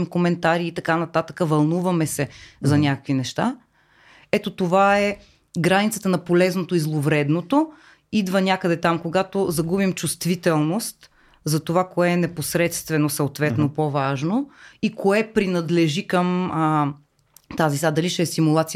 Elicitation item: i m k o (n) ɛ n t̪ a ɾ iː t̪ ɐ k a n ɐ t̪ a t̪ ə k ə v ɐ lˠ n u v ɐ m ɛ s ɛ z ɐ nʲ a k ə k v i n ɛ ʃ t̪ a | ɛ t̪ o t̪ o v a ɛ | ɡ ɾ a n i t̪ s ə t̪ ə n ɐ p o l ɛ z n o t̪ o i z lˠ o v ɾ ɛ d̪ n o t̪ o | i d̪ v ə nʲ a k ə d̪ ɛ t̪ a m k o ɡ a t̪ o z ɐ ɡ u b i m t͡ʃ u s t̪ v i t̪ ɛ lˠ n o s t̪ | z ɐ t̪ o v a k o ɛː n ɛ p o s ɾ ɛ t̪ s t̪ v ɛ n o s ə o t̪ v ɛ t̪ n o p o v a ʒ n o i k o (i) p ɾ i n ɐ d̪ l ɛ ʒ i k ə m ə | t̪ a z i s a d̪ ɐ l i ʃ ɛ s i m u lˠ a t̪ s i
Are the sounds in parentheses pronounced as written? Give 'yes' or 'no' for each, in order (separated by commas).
no, no